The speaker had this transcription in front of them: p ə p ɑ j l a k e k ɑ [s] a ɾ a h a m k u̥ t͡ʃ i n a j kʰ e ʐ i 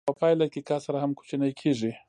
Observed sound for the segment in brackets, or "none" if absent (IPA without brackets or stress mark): s